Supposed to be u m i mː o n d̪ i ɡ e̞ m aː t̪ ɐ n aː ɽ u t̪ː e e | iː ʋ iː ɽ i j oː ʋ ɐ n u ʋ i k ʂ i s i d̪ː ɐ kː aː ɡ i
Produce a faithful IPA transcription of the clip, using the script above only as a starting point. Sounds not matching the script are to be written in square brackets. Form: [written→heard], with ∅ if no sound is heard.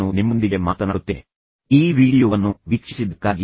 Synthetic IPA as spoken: u [m→n] i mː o n d̪ i ɡ e̞ m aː t̪ ɐ n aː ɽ u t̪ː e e | iː ʋ iː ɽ i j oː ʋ ɐ [n→nː] u ʋ i k ʂ i s i [d̪ː→d̪] ɐ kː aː ɡ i